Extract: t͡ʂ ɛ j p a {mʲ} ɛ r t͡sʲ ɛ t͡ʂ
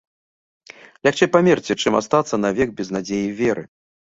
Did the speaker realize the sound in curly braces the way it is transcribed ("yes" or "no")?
yes